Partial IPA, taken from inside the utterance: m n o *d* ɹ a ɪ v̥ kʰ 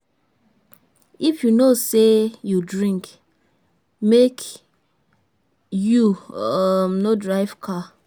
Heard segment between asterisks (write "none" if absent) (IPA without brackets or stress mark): d